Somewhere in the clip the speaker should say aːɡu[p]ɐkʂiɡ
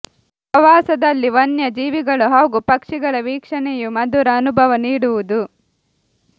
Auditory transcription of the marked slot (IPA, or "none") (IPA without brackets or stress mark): p